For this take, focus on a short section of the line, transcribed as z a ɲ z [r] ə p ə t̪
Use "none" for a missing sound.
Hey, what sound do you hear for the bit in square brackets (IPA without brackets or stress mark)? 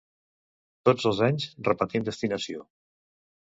r